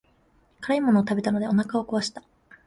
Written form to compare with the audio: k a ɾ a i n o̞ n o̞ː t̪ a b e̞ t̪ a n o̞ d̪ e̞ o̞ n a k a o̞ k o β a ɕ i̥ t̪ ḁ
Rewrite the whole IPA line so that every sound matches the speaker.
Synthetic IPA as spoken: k a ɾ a i m o̞ n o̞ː t̪ a b e̞ t̪ a n o̞ d̪ e̞ o̞ n a k a o̞ k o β a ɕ i̥ t̪ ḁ